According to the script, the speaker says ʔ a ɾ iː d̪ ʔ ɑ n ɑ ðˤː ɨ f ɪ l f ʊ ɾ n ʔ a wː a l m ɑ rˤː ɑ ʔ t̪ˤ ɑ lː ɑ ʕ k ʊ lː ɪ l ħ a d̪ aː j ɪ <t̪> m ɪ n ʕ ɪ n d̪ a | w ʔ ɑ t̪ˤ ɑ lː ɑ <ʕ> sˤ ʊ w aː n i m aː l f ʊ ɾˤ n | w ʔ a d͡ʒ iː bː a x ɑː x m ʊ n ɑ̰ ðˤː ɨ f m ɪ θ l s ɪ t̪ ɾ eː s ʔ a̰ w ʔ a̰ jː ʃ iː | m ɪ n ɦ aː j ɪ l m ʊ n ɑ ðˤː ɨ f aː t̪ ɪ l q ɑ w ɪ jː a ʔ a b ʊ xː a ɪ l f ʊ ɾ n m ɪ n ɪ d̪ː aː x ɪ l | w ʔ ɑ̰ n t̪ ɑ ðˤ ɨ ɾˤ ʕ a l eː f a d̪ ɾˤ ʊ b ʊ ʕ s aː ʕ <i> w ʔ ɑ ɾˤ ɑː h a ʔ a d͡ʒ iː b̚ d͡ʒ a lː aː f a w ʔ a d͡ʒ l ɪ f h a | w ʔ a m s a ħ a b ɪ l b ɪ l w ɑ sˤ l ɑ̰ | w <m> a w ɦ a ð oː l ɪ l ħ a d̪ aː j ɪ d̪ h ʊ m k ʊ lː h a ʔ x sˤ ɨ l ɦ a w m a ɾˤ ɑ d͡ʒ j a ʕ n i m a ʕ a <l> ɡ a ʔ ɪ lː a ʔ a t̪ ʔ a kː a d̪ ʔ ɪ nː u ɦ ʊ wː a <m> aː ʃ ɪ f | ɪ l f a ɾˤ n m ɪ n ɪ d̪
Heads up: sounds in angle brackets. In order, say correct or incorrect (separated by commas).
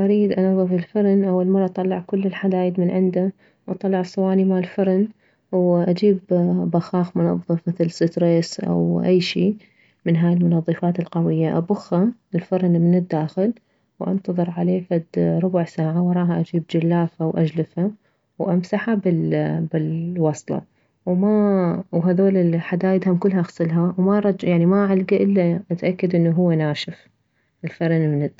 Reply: incorrect, correct, incorrect, correct, correct, incorrect